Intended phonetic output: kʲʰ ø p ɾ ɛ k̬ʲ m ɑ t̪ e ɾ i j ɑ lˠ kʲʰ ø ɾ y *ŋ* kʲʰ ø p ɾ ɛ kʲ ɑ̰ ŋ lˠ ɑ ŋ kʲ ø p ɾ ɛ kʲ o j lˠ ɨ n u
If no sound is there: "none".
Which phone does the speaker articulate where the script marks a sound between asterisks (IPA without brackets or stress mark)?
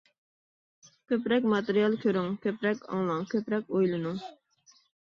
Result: ŋ